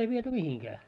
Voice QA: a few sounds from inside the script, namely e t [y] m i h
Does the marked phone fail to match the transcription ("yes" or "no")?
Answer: no